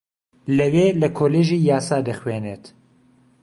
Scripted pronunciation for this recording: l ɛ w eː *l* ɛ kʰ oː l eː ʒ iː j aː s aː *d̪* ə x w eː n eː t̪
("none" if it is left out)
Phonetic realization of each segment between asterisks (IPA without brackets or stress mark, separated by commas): l, d̪